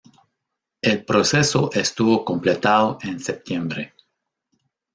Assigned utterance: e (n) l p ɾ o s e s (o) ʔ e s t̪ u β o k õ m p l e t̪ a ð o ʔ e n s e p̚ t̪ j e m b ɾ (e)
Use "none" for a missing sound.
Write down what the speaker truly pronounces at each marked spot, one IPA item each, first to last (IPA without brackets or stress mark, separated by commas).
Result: none, o, e